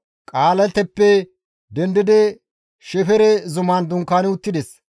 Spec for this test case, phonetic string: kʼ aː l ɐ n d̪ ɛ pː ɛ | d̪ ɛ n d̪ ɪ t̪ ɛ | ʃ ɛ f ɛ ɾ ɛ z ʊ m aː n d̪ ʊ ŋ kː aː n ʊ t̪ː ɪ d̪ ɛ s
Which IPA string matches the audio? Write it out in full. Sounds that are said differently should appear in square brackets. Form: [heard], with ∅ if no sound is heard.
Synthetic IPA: kʼ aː l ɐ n [t̪] ɛ pː ɛ | d̪ ɛ n d̪ ɪ [d̪] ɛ | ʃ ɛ f ɛ ɾ ɛ z ʊ m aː n d̪ ʊ ŋ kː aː n ʊ t̪ː ɪ d̪ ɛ s

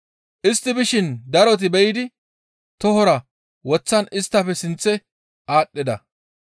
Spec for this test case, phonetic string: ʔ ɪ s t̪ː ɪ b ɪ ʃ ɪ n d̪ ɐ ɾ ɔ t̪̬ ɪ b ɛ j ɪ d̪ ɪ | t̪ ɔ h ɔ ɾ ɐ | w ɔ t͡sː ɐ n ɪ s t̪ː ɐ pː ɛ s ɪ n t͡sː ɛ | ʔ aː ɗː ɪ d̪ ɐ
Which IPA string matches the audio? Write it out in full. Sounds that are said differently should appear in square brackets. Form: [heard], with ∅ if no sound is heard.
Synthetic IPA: ʔ ɪ s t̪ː ɪ b ɪ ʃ ɪ n d̪ ɐ ɾ ɔ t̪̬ ɪ b ɛ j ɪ d̪ ɪ | t̪ ɔ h ɔ ɾ ɐ | w ɔ t͡sː ɐ n ɪ s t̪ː ɐ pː ɛ s ɪ n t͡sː ɛ | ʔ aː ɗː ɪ d̪ ɐ

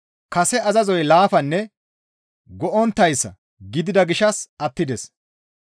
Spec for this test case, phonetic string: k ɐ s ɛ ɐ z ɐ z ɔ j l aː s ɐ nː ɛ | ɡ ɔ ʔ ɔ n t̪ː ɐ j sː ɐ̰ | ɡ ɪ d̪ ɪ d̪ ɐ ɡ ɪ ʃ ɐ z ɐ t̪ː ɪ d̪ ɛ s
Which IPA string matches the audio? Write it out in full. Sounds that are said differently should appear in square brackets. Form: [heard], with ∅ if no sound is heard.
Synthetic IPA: k ɐ s ɛ ɐ z ɐ z ɔ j l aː [f] ɐ nː ɛ | ɡ ɔ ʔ ɔ n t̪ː ɐ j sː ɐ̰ | ɡ ɪ d̪ ɪ d̪ ɐ ɡ ɪ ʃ ɐ [s] ɐ t̪ː ɪ d̪ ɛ s

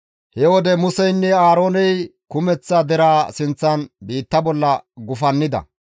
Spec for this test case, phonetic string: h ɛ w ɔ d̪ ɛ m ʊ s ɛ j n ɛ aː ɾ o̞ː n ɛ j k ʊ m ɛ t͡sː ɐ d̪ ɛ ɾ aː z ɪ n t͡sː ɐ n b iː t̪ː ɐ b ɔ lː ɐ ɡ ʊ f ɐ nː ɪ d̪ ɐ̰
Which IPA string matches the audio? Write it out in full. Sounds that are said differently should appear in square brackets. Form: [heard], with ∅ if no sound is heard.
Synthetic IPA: h ɛ w ɔ d̪ ɛ m ʊ s ɛ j [nː] ɛ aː ɾ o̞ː n ɛ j k ʊ m ɛ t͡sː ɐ d̪ ɛ ɾ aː [s] ɪ n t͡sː ɐ n b iː t̪ː ɐ b ɔ lː ɐ ɡ ʊ f ɐ nː ɪ d̪ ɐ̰

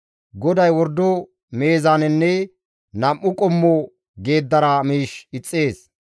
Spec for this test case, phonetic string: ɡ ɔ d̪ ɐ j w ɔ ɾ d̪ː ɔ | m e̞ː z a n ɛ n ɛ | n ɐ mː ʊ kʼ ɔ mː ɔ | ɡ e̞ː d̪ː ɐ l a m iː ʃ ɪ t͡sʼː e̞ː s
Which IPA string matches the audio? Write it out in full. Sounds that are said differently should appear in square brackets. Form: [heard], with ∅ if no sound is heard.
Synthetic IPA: ɡ ɔ d̪ ɐ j w ɔ ɾ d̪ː ɔ | m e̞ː z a n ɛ [nː] ɛ | n ɐ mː ʊ kʼ ɔ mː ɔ | ɡ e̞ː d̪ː ɐ [ɾ] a m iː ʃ ɪ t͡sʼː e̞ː s

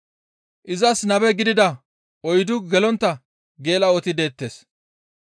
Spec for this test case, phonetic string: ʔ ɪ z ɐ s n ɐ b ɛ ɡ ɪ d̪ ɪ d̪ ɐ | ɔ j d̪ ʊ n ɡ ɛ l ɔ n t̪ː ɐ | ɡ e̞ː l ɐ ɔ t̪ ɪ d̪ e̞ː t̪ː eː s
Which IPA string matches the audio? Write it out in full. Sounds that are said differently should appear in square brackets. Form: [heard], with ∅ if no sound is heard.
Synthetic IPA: ʔ ɪ z ɐ s n ɐ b ɛ ɡ ɪ d̪ ɪ d̪ ɐ | ɔ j d̪ ʊ [∅] ɡ ɛ l ɔ n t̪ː ɐ | ɡ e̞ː l ɐ ɔ t̪ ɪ d̪ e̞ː t̪ː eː s

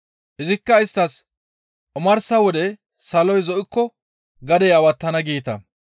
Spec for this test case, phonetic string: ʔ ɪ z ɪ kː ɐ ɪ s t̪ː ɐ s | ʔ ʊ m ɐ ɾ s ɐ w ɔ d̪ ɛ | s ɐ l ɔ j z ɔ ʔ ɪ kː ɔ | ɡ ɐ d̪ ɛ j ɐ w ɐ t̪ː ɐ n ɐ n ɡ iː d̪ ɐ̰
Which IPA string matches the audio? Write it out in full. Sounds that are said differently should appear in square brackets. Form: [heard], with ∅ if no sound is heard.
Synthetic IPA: ʔ ɪ z ɪ kː ɐ ɪ s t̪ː ɐ s | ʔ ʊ m ɐ ɾ s ɐ w ɔ d̪ ɛ | s ɐ l ɔ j z ɔ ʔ ɪ kː ɔ | ɡ ɐ d̪ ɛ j ɐ w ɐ t̪ː ɐ n ɐ [∅] ɡ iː [t̪] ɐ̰

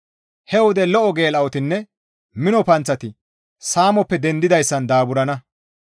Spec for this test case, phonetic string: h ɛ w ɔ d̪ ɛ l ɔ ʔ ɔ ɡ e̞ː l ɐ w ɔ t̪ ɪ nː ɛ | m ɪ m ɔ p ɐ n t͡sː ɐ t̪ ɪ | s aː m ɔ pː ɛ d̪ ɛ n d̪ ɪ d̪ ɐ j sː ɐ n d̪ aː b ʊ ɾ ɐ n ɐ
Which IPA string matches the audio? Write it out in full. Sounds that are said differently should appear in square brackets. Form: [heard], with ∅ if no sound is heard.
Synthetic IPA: h ɛ w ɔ d̪ ɛ l ɔ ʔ ɔ ɡ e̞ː l ɐ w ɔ t̪ ɪ nː ɛ | m ɪ [n] ɔ p ɐ n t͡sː ɐ t̪ ɪ | s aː m ɔ pː ɛ d̪ ɛ n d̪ ɪ d̪ ɐ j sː ɐ n d̪ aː b ʊ ɾ ɐ n ɐ

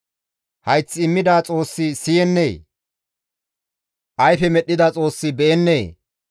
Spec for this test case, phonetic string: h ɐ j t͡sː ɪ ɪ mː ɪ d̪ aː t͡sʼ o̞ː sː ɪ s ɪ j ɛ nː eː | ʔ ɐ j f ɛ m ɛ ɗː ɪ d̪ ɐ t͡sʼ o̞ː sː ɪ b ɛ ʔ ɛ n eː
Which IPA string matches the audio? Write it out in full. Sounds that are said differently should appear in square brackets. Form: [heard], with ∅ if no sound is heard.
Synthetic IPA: h ɐ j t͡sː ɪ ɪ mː ɪ d̪ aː t͡sʼ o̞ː sː ɪ s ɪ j ɛ nː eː | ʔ ɐ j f ɛ m ɛ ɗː ɪ d̪ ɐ t͡sʼ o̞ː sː ɪ b ɛ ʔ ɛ [nː] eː

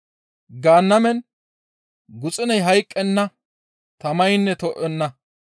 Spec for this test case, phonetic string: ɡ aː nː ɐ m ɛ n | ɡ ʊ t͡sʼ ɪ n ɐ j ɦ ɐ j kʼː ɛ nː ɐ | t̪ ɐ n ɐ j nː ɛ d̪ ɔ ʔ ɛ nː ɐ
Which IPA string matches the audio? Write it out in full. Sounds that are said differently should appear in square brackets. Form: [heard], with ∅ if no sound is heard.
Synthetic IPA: ɡ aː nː ɐ m ɛ n | ɡ ʊ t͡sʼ ɪ n ɐ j ɦ ɐ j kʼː ɛ nː ɐ | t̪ ɐ [m] ɐ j nː ɛ [t̪] ɔ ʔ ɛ nː ɐ

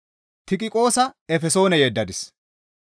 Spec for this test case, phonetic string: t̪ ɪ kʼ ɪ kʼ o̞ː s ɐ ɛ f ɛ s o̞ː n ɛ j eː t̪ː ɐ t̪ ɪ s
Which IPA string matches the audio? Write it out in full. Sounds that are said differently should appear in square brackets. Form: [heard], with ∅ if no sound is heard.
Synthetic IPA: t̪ ɪ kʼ ɪ kʼ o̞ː s ɐ ɛ f ɛ s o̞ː n ɛ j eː [d̪ː] ɐ [d̪] ɪ s

